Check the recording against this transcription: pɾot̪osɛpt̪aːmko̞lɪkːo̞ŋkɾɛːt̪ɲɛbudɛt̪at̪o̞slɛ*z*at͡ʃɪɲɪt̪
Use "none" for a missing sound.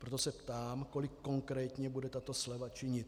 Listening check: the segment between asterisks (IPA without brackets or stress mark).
v